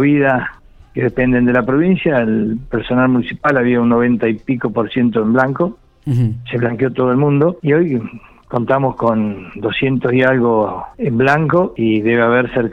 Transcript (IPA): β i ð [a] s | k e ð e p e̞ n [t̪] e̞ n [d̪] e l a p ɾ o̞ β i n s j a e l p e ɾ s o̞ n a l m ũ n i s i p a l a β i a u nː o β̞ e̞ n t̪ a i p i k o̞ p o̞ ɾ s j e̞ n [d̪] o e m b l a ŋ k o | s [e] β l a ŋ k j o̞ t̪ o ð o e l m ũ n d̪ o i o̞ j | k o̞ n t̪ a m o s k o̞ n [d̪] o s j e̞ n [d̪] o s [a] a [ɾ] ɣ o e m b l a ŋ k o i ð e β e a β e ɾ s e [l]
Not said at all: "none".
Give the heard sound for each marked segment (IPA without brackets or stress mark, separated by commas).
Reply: a, d̪, d̪, t̪, e, d̪, t̪, i, l, ɾ